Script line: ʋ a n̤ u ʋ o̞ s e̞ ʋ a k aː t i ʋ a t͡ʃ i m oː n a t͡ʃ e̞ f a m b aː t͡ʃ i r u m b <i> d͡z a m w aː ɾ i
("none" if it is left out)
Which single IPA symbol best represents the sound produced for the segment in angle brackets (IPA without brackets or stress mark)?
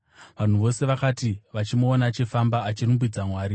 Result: i